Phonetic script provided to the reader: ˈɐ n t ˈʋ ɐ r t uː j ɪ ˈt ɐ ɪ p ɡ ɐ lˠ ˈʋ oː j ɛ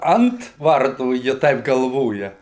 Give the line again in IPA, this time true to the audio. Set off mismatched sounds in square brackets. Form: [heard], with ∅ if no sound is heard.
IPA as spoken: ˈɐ n t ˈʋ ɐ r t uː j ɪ ˈt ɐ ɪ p ɡ ɐ lˠ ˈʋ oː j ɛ